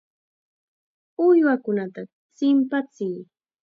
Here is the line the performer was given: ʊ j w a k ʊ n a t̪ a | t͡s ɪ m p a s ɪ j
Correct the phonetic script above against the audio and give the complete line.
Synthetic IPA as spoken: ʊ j w a k ʊ n a t̪ a | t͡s ɪ m p a t͡s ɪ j

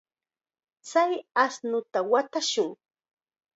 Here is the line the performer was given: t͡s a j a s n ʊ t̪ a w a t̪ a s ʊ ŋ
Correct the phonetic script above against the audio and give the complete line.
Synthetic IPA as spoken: t͡s a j a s n ʊ t̪ a w a t̪ a ʃ ʊ ŋ

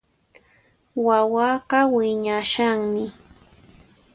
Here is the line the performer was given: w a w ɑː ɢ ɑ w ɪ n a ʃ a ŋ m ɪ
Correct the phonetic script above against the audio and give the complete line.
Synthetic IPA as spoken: w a w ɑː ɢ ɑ w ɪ ɲ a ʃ a ŋ m ɪ

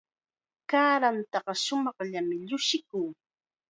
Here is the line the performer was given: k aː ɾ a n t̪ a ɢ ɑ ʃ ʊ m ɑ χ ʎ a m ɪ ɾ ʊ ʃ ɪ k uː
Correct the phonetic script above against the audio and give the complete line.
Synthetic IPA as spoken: k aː ɾ a n t̪ ɑ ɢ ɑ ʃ ʊ m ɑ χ ʎ a m ɪ ʎ ʊ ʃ ɪ k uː

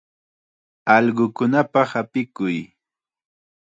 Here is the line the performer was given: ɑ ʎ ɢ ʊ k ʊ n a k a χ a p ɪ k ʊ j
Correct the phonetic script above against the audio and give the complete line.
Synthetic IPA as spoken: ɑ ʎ ɢ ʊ k ʊ n a p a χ a p ɪ k ʊ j

